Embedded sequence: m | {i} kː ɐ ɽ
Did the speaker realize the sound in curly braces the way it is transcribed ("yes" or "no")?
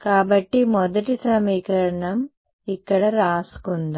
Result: yes